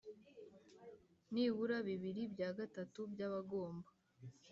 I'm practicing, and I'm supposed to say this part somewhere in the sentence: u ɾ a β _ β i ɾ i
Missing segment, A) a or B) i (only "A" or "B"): B